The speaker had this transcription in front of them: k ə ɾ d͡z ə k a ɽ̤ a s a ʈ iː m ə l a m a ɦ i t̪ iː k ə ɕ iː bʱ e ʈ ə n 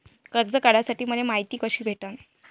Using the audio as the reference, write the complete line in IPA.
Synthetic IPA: k ə ɾ d͡z ə k a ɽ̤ a s a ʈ iː m ə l e m a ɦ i t̪ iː k ə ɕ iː bʱ e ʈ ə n